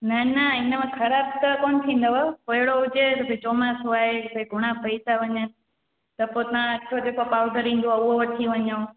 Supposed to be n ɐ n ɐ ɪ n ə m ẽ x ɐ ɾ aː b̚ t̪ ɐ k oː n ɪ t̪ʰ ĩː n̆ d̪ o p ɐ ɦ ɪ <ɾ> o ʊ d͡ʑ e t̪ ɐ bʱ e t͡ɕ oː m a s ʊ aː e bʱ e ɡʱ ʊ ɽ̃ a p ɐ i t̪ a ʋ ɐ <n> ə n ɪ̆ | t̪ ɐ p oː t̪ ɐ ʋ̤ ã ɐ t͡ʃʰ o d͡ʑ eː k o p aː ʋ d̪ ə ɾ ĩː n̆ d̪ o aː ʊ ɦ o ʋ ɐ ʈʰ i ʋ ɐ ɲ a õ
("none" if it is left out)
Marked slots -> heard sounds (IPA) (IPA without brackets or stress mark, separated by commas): ɽ, ɲ